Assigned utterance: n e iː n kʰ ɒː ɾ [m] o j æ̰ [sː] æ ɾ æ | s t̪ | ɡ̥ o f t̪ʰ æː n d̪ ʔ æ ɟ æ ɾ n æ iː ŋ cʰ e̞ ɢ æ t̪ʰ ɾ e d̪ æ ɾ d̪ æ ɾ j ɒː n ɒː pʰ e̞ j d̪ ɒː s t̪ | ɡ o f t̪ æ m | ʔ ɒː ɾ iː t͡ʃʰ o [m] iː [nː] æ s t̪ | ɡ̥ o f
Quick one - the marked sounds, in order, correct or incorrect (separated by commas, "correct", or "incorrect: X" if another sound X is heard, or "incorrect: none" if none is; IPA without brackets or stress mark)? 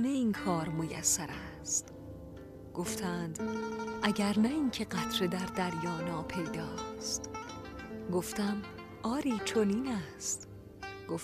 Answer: correct, correct, incorrect: n, incorrect: n